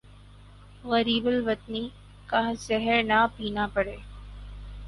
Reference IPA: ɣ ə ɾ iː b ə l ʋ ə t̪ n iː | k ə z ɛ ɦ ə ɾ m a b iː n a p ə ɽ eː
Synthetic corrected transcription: ɣ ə ɾ iː b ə l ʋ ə t̪ n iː | k a z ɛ ɦ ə ɾ n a p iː n a p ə ɽ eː